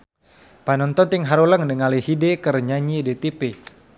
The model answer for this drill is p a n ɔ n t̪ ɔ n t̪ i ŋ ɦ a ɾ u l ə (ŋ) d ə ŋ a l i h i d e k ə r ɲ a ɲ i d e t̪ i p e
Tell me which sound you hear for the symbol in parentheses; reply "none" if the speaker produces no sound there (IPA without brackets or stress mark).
ŋ